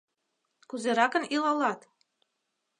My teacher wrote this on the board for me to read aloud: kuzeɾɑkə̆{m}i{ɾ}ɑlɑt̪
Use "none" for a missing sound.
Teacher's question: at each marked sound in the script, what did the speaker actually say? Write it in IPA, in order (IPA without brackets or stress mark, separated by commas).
n, l